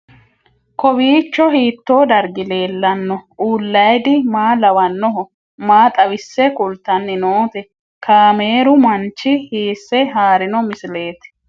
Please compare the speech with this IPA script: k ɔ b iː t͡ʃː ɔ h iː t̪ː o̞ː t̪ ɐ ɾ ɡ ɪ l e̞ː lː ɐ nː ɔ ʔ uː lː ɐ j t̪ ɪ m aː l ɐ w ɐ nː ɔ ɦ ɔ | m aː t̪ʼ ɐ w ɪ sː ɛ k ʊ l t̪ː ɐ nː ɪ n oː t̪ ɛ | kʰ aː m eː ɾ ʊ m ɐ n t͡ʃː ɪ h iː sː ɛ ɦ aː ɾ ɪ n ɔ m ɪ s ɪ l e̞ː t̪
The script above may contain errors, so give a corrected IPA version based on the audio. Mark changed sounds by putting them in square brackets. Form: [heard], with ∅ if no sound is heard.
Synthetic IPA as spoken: k ɔ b iː t͡ʃː ɔ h iː t̪ː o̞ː [d̪] ɐ ɾ ɡ ɪ l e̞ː lː ɐ nː ɔ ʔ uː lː ɐ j [d̪] ɪ m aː l ɐ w ɐ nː ɔ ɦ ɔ | m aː t̪ʼ ɐ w ɪ sː ɛ k ʊ l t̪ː ɐ nː ɪ n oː t̪ ɛ | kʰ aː m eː ɾ ʊ m ɐ n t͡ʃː ɪ h iː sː ɛ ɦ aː ɾ ɪ n ɔ m ɪ s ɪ l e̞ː t̪